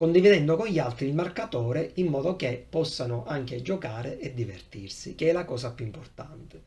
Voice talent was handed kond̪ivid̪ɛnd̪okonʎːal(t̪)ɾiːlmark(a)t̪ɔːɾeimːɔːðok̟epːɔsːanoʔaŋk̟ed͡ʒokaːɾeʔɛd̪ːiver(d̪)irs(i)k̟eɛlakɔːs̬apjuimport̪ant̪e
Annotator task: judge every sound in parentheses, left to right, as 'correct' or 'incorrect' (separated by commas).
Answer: correct, correct, incorrect, correct